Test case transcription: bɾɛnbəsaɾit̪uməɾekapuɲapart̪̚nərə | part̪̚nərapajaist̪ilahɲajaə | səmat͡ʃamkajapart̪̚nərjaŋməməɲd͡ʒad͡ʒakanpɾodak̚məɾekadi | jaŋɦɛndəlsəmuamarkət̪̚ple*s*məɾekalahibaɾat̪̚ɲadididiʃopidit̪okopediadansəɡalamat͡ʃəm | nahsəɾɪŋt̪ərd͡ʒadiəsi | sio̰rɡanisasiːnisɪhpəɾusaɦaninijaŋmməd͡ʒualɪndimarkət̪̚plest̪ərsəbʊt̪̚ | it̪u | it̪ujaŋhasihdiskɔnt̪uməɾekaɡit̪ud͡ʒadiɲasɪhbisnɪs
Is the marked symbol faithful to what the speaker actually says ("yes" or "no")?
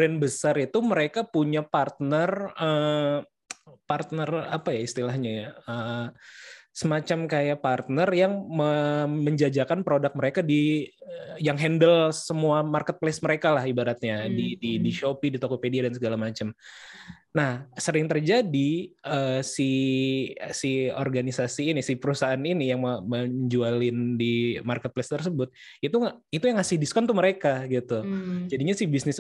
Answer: yes